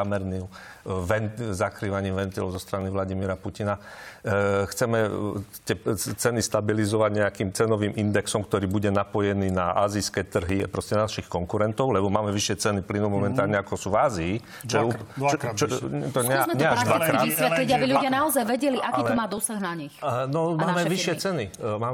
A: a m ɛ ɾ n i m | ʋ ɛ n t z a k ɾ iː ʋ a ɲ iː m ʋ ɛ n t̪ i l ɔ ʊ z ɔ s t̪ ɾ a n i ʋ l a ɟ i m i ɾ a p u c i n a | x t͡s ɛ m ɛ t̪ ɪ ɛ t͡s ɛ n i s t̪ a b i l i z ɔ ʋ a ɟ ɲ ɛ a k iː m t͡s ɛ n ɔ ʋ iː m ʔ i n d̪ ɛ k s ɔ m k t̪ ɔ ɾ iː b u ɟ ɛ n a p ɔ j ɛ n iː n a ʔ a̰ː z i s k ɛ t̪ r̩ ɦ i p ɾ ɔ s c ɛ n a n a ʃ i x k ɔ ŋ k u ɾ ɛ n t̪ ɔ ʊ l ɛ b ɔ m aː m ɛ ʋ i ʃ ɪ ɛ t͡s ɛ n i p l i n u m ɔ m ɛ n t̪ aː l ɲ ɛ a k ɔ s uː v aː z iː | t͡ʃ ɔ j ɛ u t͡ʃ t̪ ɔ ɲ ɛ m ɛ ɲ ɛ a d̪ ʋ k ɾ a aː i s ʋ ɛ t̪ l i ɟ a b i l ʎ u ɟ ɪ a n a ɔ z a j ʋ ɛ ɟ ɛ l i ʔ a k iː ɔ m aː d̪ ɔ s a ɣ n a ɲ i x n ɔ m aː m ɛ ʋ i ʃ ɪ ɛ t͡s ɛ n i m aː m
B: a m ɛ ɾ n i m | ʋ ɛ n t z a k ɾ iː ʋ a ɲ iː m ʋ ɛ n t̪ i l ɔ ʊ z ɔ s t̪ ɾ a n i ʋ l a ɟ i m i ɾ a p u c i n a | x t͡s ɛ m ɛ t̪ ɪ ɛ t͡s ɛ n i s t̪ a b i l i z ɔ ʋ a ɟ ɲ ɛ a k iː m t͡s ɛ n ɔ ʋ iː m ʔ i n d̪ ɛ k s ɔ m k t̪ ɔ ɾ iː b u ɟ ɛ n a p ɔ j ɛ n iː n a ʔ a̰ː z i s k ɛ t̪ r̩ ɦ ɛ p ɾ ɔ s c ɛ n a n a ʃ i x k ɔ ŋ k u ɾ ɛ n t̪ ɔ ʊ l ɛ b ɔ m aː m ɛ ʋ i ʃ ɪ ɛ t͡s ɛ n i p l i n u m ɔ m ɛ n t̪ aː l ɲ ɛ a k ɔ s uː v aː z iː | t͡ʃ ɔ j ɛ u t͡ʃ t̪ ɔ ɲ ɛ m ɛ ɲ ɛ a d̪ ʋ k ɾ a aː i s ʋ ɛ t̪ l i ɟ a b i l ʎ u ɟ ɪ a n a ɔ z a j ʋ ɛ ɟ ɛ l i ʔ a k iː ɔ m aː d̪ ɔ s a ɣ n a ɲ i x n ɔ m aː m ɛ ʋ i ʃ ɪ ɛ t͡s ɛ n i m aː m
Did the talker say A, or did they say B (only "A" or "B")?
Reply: A